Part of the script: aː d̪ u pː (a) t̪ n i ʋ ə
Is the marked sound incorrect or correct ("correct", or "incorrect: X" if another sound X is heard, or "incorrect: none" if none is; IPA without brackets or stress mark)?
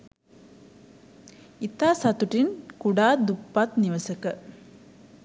correct